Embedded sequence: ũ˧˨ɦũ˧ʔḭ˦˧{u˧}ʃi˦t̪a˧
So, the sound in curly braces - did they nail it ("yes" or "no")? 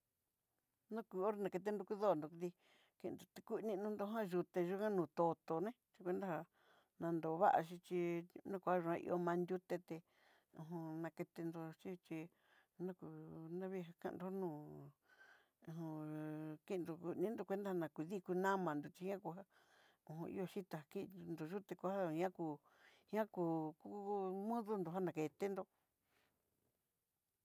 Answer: no